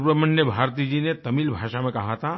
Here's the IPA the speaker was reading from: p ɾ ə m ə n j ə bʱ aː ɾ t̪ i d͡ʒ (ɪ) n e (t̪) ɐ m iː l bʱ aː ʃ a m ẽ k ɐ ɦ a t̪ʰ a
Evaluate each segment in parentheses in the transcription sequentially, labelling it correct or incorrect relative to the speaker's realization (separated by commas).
incorrect, correct